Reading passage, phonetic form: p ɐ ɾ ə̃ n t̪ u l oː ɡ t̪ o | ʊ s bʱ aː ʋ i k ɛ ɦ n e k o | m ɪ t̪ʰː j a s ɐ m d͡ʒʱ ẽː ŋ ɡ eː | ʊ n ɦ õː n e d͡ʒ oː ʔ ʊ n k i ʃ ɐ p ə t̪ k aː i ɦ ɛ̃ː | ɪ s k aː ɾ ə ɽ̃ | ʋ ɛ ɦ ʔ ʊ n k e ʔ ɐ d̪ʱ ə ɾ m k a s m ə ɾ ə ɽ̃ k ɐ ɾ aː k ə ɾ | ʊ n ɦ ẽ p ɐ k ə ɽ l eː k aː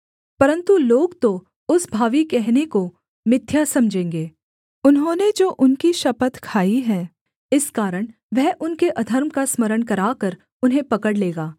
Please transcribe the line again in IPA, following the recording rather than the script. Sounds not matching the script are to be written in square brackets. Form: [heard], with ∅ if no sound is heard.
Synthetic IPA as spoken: p ɐ ɾ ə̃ n t̪ u l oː ɡ t̪ o | ʊ s bʱ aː ʋ i k ɛ ɦ n e k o | m ɪ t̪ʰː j a s ɐ m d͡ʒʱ ẽː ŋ ɡ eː | ʊ n ɦ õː n e d͡ʒ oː ʔ ʊ n k i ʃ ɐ p ə t̪ [kʰ] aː i ɦ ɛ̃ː | ɪ s k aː ɾ ə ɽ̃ | ʋ ɛ ɦ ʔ ʊ n k e ʔ ɐ d̪ʱ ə ɾ m k a s m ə ɾ ə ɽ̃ k ɐ ɾ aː k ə ɾ | ʊ n ɦ ẽ p ɐ k ə ɽ l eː [ɡ] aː